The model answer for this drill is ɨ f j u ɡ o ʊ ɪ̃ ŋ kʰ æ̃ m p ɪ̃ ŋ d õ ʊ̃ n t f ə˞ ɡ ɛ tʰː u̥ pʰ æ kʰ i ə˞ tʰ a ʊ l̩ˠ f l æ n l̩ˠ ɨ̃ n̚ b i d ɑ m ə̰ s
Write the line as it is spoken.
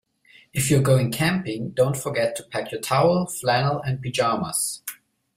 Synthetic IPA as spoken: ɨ f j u ɡ o ʊ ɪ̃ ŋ kʰ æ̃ m p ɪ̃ ŋ d õ ʊ̃ n t f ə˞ ɡ ɛ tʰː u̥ pʰ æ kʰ j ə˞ tʰ a ʊ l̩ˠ f l æ n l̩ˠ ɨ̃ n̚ b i d͡ʒ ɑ m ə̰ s